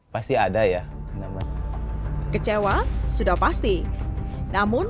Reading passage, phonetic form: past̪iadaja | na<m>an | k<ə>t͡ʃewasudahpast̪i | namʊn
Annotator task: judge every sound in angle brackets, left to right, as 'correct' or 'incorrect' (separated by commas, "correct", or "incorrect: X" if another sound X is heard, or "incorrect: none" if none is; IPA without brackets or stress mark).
correct, correct